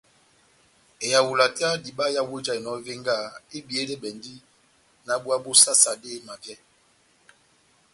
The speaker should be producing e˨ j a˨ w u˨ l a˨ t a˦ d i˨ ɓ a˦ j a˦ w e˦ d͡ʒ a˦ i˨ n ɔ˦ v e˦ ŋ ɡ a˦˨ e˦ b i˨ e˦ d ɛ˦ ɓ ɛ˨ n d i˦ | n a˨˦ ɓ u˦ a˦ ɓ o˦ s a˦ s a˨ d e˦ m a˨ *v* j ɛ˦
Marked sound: correct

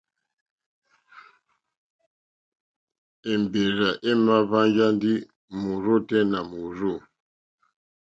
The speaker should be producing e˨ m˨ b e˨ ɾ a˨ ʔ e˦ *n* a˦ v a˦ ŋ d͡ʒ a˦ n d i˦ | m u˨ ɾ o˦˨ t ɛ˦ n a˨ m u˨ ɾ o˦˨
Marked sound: incorrect: m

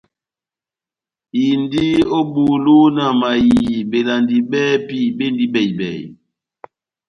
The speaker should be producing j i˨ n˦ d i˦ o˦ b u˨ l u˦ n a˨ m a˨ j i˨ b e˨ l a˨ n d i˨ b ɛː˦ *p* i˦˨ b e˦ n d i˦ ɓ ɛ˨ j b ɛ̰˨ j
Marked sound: correct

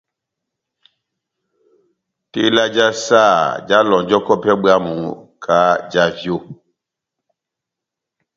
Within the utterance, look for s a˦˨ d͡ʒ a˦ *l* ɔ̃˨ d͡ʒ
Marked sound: correct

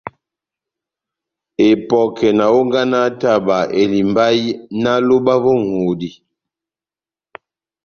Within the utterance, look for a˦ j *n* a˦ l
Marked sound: correct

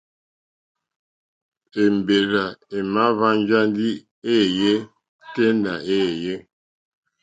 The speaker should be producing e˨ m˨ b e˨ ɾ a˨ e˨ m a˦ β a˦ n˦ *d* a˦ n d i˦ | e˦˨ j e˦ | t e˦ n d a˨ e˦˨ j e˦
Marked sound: incorrect: d͡ʒ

